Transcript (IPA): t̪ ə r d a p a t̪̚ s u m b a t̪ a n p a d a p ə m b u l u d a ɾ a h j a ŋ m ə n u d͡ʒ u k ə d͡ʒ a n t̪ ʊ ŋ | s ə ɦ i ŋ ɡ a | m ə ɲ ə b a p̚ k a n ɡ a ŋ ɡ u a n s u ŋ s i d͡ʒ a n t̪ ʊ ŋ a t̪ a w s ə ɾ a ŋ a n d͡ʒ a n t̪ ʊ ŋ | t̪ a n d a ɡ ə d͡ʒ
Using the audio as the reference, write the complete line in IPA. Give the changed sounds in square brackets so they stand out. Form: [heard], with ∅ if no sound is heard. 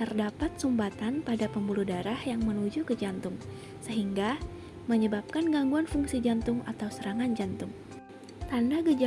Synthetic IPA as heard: t̪ ə r d a p a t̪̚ s u m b a t̪ a n p a d a p ə m b u l u d a ɾ a h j a ŋ m ə n u d͡ʒ u k ə d͡ʒ a n t̪ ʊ ŋ | s ə ɦ i ŋ ɡ a | m ə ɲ ə b a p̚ k a n ɡ a ŋ ɡ u a n [f] u ŋ s i d͡ʒ a n t̪ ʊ ŋ a t̪ a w s ə ɾ a ŋ a n d͡ʒ a n t̪ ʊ ŋ | t̪ a n d a ɡ ə d͡ʒ